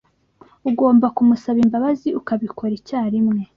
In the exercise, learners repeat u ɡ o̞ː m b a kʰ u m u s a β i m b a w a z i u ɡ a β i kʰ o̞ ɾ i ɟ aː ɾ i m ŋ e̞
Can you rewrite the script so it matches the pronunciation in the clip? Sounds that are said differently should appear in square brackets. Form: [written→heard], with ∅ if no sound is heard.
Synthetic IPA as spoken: u ɡ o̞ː m b a [kʰ→k] u m u s a β i m b a [w→β] a z i u [ɡ→k] a β i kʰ o̞ ɾ i [ɟ→c] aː ɾ i m ŋ e̞